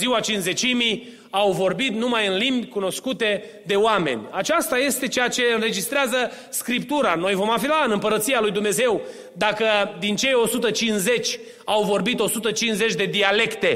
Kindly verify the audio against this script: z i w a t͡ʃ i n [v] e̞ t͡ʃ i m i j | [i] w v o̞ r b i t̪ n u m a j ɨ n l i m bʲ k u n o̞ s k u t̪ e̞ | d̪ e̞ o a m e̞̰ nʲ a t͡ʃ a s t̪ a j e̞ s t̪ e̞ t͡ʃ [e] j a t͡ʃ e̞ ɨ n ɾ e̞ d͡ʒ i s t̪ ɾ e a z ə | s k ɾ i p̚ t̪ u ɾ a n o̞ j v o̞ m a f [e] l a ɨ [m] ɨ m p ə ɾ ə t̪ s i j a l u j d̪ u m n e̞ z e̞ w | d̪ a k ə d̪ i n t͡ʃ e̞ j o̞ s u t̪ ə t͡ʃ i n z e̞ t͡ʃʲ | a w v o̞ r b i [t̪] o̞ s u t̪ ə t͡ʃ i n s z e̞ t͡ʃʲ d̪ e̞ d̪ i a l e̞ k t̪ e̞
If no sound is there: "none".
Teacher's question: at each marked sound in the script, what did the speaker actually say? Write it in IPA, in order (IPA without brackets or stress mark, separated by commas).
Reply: z, a, e, i, n, t̪